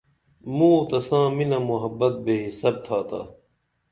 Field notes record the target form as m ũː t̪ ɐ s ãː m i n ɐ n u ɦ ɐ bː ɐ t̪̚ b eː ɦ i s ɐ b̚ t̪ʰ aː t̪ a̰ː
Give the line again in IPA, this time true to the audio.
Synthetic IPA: m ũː t̪ ɐ s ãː m i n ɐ m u ɦ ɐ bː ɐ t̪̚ b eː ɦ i s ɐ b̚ t̪ʰ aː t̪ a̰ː